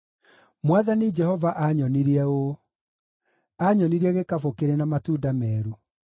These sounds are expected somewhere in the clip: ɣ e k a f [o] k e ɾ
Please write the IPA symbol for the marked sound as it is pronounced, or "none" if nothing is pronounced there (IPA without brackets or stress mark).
o